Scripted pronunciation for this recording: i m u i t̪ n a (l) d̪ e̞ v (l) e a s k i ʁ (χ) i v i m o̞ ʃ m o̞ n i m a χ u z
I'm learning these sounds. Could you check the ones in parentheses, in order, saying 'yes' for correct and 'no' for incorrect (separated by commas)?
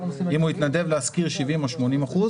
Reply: no, yes, no